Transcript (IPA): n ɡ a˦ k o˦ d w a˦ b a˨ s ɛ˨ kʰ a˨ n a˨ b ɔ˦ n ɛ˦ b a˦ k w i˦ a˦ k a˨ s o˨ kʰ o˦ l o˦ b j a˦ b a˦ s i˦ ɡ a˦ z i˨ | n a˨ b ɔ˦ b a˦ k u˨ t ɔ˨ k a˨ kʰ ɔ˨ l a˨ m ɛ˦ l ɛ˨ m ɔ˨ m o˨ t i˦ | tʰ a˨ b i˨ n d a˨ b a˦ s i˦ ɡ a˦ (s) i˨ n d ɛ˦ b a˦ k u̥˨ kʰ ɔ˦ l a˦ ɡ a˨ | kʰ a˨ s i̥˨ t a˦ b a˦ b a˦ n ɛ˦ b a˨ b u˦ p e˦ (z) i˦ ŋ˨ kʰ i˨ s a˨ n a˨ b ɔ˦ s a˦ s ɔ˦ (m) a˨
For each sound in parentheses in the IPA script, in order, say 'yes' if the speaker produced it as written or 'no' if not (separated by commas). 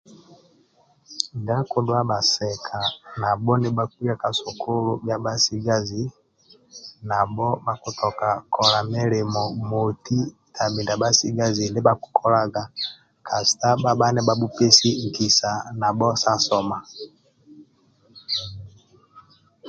no, no, yes